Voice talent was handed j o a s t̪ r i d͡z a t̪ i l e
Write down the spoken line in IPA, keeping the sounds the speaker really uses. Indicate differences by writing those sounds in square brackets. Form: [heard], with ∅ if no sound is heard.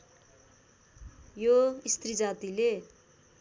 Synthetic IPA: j o [i] s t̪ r i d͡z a t̪ i l e